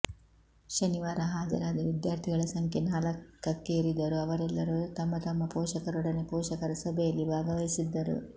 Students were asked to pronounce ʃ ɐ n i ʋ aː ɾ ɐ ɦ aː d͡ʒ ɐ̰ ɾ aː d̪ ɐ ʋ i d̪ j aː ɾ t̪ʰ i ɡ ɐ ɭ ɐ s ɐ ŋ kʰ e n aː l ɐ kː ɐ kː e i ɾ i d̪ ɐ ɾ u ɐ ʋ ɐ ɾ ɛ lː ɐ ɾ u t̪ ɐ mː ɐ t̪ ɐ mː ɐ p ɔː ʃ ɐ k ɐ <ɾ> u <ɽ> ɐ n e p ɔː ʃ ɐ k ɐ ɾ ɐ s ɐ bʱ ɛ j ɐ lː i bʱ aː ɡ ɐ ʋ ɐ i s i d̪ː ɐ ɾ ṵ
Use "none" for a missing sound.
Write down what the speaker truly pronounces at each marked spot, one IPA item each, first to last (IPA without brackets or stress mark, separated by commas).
ɾ, ɽ